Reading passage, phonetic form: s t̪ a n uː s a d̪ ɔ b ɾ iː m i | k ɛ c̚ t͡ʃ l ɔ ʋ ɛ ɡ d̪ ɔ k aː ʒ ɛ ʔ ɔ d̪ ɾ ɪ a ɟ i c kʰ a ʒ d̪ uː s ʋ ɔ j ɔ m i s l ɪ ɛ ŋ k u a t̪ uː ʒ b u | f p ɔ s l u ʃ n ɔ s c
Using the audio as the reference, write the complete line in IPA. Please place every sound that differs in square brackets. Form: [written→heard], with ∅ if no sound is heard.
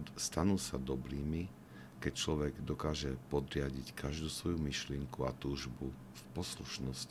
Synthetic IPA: s t̪ a n uː s a d̪ ɔ b ɾ iː m i | k ɛ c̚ t͡ʃ l ɔ ʋ ɛ ɡ d̪ ɔ k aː ʒ ɛ [ʔ→p] ɔ d̪ ɾ ɪ a ɟ i c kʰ a ʒ d̪ uː s ʋ ɔ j [ɔ→u] m i [s→ʃ] l ɪ ɛ ŋ k u a t̪ uː ʒ b u | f p ɔ s l u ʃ n ɔ s c